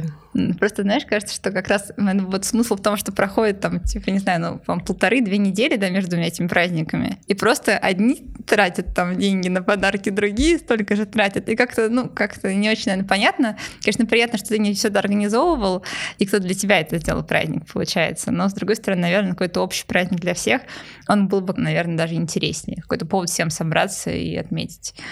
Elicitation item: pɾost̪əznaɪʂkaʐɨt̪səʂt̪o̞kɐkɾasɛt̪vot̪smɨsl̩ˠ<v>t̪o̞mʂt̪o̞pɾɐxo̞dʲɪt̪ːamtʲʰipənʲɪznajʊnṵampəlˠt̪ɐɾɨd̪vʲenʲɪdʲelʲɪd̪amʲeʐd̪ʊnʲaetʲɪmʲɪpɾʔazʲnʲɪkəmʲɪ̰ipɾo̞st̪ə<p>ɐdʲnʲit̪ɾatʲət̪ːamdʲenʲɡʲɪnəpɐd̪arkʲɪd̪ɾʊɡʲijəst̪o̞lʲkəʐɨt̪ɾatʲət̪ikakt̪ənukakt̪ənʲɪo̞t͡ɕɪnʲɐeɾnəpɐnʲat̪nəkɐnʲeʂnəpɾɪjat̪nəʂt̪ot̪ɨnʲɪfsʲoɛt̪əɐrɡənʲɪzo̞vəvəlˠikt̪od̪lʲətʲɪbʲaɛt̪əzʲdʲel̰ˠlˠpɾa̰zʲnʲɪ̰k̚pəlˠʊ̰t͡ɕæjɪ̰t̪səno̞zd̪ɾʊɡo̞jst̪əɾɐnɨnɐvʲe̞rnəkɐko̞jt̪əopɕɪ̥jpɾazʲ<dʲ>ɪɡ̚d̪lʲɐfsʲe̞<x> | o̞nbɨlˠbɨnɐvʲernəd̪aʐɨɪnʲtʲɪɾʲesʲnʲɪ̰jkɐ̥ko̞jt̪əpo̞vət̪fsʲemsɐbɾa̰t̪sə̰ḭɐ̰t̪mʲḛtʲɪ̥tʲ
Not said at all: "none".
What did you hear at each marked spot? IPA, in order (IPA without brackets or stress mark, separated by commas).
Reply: f, ʔ, nʲ, x